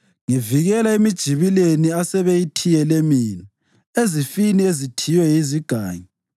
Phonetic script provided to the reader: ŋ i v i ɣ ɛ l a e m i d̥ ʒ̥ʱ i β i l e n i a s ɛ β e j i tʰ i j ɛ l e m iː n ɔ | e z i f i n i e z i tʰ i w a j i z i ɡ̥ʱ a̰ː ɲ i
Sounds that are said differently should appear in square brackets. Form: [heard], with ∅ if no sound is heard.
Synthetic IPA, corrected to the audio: ŋ i v i ɣ ɛ l a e m i d̥ ʒ̥ʱ i β i l e n i a s ɛ β e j i tʰ i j ɛ l e m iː n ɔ | e z i f i n i e z i tʰ i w [ɛ] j i z i ɡ̥ʱ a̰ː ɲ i